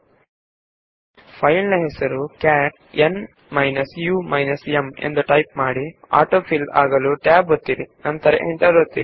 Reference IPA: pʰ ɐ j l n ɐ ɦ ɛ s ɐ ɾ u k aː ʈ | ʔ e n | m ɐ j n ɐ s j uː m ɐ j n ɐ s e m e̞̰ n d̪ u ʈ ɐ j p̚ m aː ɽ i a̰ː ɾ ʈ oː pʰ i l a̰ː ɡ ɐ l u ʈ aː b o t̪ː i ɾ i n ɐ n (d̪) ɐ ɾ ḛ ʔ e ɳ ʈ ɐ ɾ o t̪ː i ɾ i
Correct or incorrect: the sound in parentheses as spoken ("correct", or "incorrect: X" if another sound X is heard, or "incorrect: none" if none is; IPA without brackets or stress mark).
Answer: incorrect: t̪